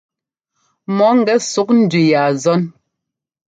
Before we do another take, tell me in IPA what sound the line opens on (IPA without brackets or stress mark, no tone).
m